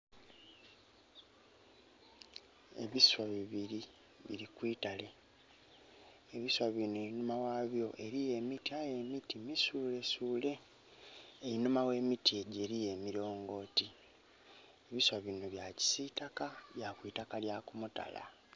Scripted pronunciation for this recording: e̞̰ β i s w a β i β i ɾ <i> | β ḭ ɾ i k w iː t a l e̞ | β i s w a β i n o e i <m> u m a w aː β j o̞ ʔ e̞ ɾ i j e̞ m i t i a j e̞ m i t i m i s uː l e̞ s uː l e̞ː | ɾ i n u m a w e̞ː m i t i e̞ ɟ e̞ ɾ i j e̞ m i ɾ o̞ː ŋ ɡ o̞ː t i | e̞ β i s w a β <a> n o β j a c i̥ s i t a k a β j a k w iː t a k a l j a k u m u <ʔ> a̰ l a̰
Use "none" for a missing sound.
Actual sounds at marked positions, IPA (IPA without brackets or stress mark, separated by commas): i, n, i, t